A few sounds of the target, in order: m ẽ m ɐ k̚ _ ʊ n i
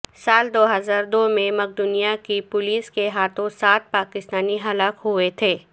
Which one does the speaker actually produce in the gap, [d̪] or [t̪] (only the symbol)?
d̪